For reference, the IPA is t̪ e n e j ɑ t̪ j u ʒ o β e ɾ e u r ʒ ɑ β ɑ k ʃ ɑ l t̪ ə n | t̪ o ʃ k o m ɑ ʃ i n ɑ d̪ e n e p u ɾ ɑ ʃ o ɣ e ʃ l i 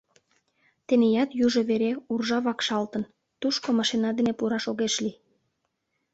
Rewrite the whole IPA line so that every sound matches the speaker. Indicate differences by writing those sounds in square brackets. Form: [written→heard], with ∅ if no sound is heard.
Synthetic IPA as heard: t̪ e n e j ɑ t̪ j u ʒ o β e ɾ e u r ʒ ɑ β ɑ k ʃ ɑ l t̪ ə n | t̪ [o→u] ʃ k o m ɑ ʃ i n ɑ d̪ e n e p u ɾ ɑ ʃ o ɣ e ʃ l i